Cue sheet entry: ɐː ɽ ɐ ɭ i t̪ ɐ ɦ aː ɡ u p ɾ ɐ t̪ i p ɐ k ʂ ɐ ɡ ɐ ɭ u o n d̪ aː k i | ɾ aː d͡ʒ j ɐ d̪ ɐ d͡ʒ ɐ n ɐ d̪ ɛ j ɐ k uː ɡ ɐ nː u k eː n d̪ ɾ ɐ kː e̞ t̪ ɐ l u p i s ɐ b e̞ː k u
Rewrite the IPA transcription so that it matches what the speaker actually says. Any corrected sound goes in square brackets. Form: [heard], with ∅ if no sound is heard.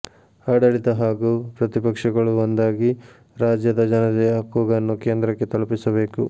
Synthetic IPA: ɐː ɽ ɐ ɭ i t̪ ɐ ɦ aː ɡ u p ɾ ɐ t̪ i p ɐ k ʂ ɐ ɡ ɐ ɭ u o n d̪ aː [ɡ] i | ɾ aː d͡ʒ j ɐ d̪ ɐ d͡ʒ ɐ n ɐ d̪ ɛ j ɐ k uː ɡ ɐ nː u k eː n d̪ ɾ ɐ kː e̞ t̪ ɐ l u p i s ɐ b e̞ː k u